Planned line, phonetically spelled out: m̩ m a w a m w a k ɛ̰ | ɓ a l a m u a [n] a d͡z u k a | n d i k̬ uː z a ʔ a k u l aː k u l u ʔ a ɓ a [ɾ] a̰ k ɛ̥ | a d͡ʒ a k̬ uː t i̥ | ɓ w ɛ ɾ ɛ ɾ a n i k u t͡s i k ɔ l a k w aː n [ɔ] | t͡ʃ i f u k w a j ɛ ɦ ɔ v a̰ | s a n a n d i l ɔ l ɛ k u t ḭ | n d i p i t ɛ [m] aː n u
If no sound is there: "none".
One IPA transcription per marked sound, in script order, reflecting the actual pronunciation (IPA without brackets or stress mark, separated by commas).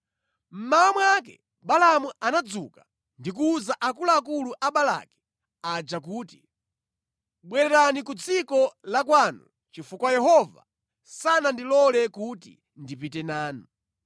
n, l, u, n